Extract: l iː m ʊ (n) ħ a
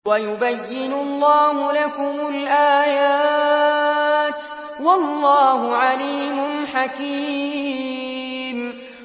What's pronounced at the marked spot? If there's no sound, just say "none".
n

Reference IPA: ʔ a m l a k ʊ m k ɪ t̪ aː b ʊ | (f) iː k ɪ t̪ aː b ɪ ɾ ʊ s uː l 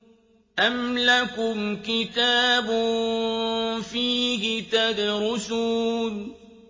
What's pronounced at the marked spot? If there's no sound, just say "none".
f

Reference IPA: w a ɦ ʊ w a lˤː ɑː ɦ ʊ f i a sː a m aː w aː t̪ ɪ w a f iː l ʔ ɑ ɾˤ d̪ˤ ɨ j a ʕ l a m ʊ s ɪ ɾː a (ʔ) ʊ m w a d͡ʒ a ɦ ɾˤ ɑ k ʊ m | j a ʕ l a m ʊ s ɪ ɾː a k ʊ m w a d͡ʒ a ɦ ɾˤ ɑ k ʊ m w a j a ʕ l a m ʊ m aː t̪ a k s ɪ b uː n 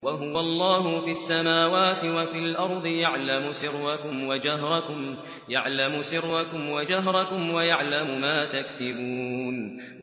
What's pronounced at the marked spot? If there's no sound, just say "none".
k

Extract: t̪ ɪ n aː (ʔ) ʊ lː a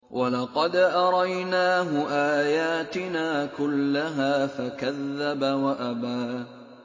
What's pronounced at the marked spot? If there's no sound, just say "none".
k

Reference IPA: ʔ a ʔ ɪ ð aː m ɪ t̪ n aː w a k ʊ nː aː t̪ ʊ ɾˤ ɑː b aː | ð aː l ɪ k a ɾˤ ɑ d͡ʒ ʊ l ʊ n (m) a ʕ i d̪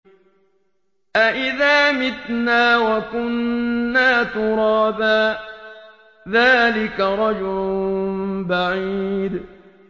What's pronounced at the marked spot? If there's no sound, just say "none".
b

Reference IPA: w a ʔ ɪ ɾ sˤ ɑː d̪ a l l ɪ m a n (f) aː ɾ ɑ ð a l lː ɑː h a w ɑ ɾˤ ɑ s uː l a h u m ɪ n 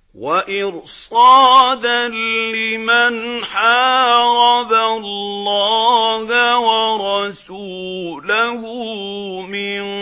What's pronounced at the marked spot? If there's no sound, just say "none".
ħ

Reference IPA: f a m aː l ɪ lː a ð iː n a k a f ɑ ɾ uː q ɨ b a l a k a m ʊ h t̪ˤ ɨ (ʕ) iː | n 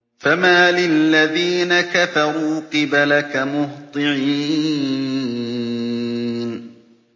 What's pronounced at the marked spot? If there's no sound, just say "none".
ʕ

